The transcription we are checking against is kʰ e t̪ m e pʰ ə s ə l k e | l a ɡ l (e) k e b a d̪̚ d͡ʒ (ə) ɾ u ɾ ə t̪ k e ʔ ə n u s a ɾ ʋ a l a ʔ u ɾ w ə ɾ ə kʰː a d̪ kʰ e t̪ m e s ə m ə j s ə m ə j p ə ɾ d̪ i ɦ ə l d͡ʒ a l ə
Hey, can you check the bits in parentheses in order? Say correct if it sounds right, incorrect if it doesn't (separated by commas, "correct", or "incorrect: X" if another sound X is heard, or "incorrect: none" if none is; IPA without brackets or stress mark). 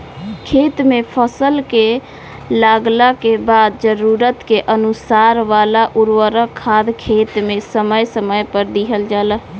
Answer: incorrect: a, correct